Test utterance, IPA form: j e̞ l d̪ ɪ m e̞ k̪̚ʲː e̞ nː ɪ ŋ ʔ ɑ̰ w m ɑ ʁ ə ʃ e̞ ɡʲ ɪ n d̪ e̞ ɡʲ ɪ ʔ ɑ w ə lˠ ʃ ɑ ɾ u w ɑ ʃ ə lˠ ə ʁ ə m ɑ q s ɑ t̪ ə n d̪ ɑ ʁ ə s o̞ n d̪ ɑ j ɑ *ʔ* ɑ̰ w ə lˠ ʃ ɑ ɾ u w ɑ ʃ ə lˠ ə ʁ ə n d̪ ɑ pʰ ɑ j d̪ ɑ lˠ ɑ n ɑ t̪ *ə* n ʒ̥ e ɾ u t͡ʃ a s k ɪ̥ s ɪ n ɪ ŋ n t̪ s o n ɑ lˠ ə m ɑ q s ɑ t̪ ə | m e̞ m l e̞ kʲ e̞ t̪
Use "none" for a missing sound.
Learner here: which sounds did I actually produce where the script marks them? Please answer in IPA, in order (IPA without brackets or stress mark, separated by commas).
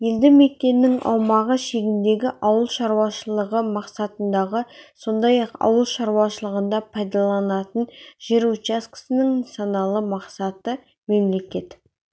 q, ə